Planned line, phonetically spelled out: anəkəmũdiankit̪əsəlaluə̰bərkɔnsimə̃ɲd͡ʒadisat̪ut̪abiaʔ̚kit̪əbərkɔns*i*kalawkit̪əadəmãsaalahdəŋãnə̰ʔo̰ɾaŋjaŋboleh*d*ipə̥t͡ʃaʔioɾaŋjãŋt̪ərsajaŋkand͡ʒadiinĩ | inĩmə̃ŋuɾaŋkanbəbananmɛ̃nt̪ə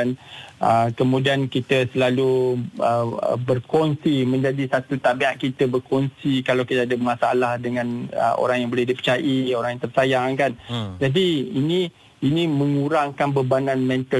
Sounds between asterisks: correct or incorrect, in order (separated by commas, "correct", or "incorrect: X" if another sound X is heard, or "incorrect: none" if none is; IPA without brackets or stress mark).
correct, correct